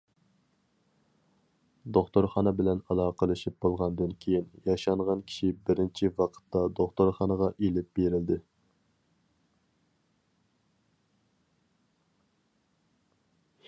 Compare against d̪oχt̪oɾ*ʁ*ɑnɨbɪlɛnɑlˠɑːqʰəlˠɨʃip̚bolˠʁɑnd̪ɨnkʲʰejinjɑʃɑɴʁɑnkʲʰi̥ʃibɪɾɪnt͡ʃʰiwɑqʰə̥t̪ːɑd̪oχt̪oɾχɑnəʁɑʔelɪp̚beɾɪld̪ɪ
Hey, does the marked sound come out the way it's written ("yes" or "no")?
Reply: no